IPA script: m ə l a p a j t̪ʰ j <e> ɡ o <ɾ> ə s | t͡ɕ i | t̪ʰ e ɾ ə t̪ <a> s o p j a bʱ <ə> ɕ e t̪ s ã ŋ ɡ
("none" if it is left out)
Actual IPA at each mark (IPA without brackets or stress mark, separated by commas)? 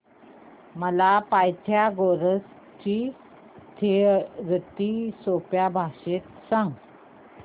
a, ɾ, i, a